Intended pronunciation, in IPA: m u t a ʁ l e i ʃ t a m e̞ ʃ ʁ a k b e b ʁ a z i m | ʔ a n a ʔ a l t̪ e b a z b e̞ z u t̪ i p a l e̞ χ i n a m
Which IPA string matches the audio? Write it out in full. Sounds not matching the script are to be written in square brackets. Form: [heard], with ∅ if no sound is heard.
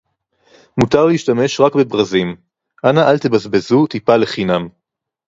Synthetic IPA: m u t a ʁ l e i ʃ t a m e̞ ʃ ʁ a k b e b ʁ a z i m | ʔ a n a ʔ a l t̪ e b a z b e̞ z u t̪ i p a l e̞ χ i n a m